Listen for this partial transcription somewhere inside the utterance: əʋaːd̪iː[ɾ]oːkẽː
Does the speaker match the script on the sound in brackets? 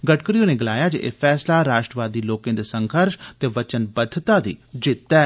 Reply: no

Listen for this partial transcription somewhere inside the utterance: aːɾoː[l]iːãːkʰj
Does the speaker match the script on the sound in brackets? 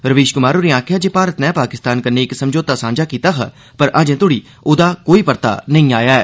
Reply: no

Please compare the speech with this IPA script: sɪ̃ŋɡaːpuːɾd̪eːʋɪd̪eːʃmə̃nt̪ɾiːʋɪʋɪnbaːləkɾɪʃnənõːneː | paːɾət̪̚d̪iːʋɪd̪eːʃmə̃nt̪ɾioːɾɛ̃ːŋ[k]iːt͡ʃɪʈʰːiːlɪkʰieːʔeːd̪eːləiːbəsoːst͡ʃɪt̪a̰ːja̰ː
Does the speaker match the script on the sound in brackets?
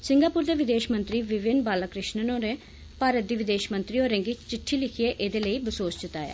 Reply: no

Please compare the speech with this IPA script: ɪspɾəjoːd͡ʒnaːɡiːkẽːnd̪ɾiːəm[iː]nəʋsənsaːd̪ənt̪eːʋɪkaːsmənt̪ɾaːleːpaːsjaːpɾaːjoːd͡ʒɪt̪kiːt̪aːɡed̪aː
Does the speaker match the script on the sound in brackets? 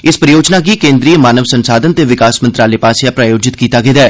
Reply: no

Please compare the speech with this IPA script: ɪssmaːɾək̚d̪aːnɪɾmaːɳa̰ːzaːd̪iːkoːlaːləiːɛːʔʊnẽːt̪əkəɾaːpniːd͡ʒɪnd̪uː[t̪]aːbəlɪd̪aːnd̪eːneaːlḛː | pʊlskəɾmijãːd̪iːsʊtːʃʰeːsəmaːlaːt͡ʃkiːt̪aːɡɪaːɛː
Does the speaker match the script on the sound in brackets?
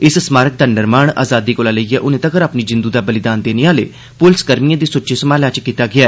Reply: no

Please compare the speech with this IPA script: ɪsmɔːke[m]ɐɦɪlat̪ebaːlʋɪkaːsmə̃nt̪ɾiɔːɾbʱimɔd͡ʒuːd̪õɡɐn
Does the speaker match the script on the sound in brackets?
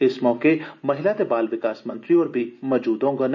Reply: yes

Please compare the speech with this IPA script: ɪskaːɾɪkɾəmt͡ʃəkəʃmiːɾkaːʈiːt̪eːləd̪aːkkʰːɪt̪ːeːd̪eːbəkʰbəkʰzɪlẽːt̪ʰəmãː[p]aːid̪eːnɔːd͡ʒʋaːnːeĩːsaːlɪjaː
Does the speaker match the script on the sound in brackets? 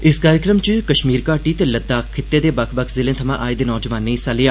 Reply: no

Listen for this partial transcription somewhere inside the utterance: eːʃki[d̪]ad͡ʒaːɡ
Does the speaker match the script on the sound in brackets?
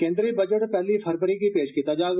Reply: no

